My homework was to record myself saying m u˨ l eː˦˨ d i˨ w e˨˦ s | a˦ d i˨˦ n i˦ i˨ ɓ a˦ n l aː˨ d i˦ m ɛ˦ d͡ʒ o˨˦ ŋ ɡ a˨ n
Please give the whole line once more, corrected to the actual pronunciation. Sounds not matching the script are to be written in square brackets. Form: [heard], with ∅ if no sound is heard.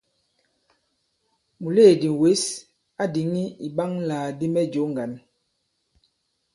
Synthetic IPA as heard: m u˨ l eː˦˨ d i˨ w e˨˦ s | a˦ d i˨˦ [ŋ] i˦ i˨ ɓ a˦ [ŋ] l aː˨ d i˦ m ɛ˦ d͡ʒ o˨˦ ŋ ɡ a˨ n